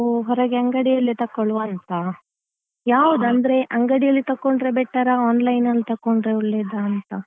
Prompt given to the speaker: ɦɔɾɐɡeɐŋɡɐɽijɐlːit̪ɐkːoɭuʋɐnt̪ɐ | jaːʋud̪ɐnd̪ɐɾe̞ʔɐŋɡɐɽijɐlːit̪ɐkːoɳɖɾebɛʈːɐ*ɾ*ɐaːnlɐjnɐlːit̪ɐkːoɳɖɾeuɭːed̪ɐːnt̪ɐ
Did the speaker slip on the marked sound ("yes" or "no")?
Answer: no